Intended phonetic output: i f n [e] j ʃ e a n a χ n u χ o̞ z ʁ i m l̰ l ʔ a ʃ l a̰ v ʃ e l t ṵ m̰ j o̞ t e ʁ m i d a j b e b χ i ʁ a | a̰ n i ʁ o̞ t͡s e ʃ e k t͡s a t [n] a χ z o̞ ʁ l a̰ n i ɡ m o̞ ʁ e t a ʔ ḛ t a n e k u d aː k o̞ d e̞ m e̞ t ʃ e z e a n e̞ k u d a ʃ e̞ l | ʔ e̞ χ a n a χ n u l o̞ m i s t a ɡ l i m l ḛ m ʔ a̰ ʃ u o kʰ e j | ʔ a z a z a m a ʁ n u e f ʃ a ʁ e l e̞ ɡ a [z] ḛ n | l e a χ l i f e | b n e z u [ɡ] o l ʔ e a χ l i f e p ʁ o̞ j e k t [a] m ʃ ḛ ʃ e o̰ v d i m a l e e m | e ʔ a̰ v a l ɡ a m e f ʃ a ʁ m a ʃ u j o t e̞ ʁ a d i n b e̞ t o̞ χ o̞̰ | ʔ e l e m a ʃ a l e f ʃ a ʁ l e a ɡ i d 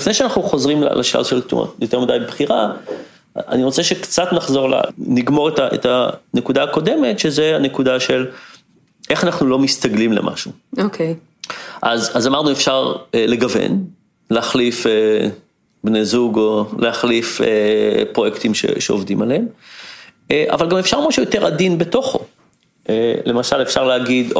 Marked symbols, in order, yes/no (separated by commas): yes, yes, no, yes, no